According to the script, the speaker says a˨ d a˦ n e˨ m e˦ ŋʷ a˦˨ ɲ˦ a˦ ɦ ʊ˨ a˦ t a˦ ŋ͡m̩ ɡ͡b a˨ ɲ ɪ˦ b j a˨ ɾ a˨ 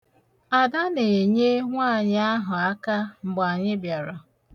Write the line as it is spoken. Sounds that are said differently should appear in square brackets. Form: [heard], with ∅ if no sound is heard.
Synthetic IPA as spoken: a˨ d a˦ n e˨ [ɲ] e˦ ŋʷ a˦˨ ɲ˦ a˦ ɦ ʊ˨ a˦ [k] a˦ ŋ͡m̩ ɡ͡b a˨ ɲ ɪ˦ b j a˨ ɾ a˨